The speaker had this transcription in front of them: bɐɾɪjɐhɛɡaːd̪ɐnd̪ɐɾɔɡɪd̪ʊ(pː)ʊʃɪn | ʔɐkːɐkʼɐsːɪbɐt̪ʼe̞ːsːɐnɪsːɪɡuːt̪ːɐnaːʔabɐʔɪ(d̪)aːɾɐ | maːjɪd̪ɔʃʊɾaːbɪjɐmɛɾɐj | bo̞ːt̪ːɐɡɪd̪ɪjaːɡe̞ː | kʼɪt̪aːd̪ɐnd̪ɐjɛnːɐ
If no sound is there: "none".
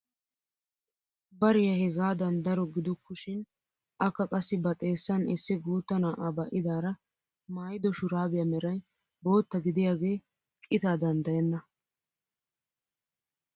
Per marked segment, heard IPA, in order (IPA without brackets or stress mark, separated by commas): kː, d̪